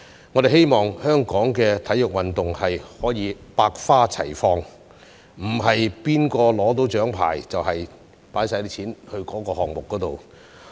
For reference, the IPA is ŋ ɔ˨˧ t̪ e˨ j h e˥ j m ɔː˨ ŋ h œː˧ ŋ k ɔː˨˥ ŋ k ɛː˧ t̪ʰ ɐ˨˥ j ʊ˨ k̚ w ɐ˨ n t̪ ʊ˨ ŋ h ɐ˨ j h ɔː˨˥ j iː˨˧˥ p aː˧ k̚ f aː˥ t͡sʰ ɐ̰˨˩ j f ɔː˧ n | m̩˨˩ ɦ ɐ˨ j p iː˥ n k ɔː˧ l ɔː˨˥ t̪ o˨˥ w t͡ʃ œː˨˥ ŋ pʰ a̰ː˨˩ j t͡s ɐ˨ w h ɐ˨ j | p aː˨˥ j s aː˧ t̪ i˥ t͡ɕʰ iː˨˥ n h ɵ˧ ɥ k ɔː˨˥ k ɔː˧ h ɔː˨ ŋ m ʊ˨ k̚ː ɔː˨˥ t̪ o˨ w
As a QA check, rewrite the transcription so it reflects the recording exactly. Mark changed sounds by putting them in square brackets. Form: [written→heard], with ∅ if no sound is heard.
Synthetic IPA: ŋ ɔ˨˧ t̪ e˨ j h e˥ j m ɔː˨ ŋ h [œː˧→œː˥] ŋ k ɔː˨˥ ŋ k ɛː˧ t̪ʰ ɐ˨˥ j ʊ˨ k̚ w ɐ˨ n t̪ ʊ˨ ŋ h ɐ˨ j h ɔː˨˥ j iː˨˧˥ p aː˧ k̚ f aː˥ t͡sʰ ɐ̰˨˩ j f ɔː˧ [n→ŋ] | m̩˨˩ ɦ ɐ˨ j p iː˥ n k ɔː˧ l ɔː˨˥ t̪ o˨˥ w t͡ʃ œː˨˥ ŋ pʰ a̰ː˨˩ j t͡s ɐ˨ w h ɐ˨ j | p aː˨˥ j s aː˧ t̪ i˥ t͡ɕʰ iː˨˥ n h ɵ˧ ɥ k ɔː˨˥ k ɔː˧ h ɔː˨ ŋ m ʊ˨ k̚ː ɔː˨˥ t̪ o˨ w